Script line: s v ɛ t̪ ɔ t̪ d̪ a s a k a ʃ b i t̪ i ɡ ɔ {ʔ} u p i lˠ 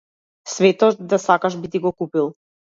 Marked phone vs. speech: incorrect: k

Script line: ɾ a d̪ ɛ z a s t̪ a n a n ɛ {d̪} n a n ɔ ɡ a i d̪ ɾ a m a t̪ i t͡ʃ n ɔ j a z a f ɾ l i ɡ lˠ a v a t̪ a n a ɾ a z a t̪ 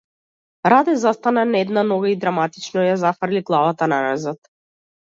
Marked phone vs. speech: correct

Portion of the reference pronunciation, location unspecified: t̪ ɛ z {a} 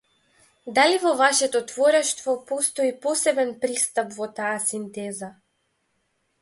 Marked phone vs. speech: correct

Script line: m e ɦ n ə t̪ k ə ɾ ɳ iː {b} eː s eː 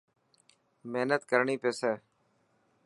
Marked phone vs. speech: incorrect: p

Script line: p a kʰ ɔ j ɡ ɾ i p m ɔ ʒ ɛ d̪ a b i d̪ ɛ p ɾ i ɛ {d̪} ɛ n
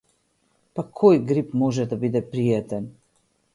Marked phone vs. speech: incorrect: t̪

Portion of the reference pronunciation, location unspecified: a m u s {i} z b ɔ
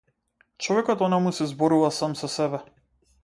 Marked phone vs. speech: incorrect: ɛ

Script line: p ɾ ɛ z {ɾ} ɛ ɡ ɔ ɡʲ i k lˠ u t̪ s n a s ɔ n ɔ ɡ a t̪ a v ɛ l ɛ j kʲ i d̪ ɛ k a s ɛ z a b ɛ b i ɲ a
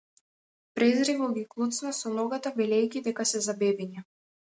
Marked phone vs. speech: correct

